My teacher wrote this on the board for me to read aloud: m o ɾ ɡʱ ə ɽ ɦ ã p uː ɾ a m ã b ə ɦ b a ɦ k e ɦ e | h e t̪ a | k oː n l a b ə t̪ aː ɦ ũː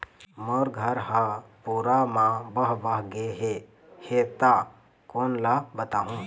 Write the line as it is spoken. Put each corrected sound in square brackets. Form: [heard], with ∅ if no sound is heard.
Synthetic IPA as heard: m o ɾ ɡʱ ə [ɾ] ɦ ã p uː ɾ a m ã b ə ɦ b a ɦ [ɡ] e ɦ e | h e t̪ a | k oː n l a b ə t̪ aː ɦ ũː

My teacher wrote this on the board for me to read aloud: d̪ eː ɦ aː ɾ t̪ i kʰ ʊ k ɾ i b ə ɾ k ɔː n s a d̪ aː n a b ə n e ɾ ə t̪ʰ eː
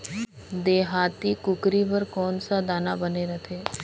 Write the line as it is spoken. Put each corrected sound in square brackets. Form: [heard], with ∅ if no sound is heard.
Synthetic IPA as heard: d̪ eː ɦ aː [∅] t̪ i [k] ʊ k ɾ i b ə ɾ k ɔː n s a d̪ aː n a b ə n e ɾ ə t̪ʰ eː

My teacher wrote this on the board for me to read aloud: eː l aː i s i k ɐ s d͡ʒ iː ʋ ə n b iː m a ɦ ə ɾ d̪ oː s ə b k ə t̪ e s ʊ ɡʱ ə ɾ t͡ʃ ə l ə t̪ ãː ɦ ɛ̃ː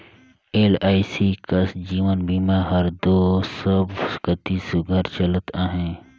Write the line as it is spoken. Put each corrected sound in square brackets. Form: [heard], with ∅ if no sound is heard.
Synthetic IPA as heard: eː l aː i s i k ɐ s d͡ʒ iː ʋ ə n b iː m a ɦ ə ɾ d̪ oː s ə b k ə t̪ [i] s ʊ ɡʱ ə ɾ t͡ʃ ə l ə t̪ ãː ɦ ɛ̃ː

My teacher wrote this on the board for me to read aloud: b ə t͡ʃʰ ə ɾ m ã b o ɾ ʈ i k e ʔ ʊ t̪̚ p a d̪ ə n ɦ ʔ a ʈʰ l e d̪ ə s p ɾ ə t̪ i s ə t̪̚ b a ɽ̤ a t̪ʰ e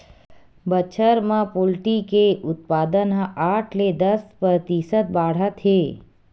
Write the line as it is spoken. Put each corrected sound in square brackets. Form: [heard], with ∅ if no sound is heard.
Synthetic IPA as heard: b ə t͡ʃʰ ə ɾ m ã [p] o [l] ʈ i k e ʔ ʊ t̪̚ p a d̪ ə n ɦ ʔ a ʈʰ l e d̪ ə s p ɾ ə t̪ i s ə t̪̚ b a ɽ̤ a t̪ʰ e

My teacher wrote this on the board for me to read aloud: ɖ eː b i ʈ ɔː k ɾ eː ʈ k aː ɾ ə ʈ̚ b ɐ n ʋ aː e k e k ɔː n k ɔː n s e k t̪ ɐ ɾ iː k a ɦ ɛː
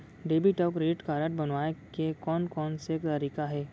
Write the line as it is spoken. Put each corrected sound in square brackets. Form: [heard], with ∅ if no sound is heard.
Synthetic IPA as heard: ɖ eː b i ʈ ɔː k ɾ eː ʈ k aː ɾ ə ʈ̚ b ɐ n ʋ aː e k e k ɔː n k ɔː n s e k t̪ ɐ ɾ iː k a ɦ ɛː

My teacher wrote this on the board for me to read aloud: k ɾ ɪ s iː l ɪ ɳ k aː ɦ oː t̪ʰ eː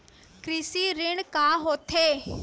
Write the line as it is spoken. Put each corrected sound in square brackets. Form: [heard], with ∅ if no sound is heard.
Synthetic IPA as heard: k ɾ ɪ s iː [ɾ] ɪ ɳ k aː ɦ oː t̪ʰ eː

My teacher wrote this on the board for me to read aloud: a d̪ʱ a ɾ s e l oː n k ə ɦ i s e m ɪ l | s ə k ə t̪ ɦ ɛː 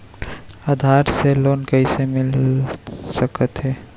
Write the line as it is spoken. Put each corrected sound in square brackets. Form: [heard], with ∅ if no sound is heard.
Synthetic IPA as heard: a d̪ʱ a ɾ s e l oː n k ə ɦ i s e m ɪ l | s ə k ə t̪ ɦ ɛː

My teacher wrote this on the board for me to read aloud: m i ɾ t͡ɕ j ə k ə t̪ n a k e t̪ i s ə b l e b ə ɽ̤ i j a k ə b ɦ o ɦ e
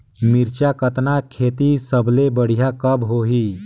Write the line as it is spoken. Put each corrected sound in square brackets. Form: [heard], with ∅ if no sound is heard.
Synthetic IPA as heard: m i ɾ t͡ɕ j [a] k ə t̪ n a [kʰ] e t̪ i s ə b l e b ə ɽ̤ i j a k ə b ɦ o ɦ [i]

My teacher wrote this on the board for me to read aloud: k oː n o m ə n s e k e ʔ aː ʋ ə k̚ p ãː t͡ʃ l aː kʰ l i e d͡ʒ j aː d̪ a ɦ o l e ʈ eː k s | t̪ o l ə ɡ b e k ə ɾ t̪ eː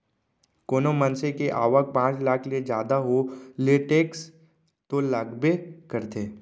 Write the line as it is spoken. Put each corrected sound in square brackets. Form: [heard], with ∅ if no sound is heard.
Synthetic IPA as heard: k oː n o m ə n s e k e ʔ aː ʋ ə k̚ p ãː t͡ʃ l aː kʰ l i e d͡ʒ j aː d̪ a ɦ o l e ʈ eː k s | t̪ o l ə ɡ b e k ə ɾ t̪ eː

